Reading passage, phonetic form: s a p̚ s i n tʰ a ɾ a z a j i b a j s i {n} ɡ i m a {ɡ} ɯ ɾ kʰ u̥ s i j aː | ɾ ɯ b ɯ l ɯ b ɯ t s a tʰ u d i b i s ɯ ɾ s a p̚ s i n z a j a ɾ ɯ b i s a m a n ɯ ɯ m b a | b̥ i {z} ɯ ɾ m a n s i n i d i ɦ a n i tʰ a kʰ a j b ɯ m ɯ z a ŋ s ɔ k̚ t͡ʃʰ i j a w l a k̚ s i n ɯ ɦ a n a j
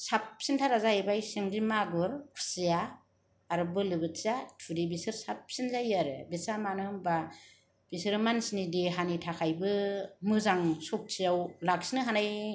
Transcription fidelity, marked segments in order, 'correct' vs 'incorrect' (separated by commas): incorrect, correct, incorrect